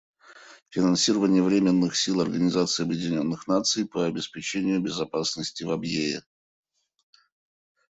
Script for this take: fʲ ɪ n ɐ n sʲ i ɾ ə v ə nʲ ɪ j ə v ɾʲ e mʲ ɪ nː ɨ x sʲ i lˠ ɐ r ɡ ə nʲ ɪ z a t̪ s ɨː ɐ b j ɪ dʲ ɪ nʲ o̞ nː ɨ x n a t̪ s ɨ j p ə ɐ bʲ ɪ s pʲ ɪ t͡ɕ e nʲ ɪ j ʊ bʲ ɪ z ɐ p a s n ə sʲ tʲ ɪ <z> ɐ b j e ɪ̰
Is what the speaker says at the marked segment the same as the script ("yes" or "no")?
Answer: no